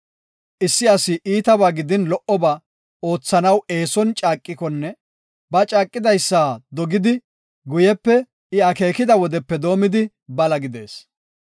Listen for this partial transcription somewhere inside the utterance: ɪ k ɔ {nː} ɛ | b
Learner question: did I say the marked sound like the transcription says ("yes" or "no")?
yes